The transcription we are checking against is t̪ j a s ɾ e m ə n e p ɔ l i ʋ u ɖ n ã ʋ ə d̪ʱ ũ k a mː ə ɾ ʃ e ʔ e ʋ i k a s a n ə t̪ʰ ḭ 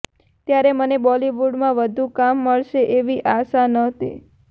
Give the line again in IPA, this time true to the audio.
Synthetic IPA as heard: t̪ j a ɾ e m ə n e b ɔ l i ʋ u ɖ m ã ʋ ə d̪ʱ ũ k a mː ə ɭ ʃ e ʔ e ʋ i ʔ a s a n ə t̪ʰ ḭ